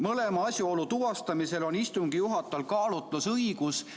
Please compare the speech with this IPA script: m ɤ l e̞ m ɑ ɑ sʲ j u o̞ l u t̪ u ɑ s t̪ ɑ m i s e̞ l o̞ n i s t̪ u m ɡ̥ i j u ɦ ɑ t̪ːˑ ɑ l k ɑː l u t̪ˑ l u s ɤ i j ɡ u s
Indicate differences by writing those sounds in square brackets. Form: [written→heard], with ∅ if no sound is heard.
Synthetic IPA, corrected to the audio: m ɤ l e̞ m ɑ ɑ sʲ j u o̞ l u t̪ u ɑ s t̪ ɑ m i s e̞ l o̞ n i s t̪ u [m→ŋ] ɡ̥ i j u ɦ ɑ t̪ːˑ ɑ l k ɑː l u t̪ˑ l u s ɤ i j ɡ u s

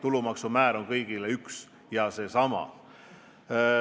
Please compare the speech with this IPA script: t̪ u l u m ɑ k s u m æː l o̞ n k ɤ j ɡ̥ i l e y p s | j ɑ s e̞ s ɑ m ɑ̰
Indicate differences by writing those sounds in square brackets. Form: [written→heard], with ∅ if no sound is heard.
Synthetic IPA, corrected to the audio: t̪ u l u m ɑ k s u m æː [l→ɾ] o̞ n k ɤ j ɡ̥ i l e y [p→k] s | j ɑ s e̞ s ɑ m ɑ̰

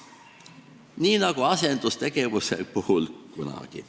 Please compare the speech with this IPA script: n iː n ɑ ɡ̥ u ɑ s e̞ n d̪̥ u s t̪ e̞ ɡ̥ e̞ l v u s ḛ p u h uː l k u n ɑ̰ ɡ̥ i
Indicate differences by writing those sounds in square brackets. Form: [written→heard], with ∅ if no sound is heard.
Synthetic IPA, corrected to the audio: n iː n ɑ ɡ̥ u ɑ s e̞ n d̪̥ u s t̪ e̞ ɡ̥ e̞ [l→∅] v u s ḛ p u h [uː→u] l k u n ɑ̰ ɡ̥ i

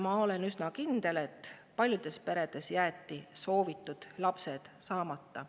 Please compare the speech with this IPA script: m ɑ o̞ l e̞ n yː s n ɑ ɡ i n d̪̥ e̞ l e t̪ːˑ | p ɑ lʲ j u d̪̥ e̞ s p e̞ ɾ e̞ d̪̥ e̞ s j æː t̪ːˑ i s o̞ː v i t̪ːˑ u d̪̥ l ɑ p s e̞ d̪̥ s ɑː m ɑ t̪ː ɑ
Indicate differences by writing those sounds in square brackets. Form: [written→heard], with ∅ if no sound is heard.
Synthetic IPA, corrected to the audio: m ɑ o̞ l e̞ n [yː→y] s n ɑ [ɡ→k] i n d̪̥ e̞ l e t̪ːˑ | p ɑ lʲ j u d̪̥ e̞ s p e̞ ɾ e̞ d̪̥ e̞ s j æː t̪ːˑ i s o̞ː v i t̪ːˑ u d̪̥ l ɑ p s e̞ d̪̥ s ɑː m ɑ t̪ː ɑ

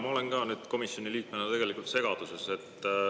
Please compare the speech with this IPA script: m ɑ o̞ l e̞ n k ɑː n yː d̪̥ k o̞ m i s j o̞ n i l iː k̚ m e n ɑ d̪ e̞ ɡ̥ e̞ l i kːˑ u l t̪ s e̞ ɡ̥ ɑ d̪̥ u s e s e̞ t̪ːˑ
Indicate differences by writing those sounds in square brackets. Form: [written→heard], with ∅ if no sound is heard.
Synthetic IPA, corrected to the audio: m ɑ o̞ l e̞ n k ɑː n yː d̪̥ k o̞ m i s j o̞ n i l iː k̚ m e n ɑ [d̪→t̪] e̞ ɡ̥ e̞ l i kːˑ u l t̪ s e̞ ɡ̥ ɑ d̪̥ u s e s e̞ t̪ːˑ

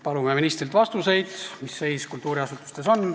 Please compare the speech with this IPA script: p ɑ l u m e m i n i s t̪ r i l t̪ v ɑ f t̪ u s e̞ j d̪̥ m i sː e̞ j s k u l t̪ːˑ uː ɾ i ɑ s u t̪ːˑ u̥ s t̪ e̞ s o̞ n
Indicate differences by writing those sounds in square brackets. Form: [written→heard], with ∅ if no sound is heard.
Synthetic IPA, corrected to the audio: p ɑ l u m e m i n i s t̪ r i l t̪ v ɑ [f→s] t̪ u s e̞ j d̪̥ m i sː e̞ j s k u l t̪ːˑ uː ɾ i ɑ s u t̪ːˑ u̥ s t̪ e̞ s o̞ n

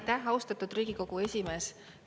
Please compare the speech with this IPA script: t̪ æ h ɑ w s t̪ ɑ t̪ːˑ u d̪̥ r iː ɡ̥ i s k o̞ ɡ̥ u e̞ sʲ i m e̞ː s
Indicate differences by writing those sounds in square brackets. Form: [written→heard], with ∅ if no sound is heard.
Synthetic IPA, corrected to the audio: t̪ æ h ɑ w s t̪ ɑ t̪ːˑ u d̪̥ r iː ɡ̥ i [s→∅] k o̞ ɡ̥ u e̞ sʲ i m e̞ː s

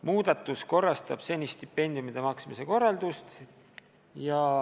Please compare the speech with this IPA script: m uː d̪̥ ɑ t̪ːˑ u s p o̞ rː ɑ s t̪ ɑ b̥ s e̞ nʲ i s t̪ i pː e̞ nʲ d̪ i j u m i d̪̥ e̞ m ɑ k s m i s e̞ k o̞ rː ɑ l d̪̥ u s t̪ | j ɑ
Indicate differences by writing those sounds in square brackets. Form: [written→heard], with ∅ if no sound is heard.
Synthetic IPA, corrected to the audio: m uː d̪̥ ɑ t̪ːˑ u s [p→k] o̞ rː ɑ s t̪ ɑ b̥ s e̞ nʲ i s t̪ i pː e̞ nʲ d̪ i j u m i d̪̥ e̞ m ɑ k s m i s e̞ k o̞ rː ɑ l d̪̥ u s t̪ | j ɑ

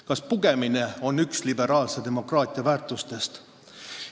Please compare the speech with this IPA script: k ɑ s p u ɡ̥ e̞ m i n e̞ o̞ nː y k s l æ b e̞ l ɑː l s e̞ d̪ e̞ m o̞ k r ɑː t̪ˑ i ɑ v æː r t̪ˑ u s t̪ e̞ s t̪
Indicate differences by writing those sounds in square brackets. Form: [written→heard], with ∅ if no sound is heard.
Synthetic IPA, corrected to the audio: k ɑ s p u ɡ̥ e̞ m i n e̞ o̞ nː y k s l [æ→i] b e̞ [l→ɾ] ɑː l s e̞ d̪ e̞ m o̞ k r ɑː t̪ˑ i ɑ v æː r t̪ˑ u s t̪ e̞ s t̪

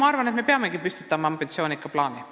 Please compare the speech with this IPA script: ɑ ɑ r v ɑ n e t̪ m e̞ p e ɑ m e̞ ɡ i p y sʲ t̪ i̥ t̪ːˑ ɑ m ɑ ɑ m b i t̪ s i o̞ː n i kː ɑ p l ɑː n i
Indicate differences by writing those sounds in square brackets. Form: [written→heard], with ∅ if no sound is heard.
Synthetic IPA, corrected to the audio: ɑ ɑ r v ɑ n e t̪ m e̞ p e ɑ m e̞ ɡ i p y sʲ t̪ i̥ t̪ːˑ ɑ m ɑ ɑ m b i t̪ s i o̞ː n i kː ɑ p l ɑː n i

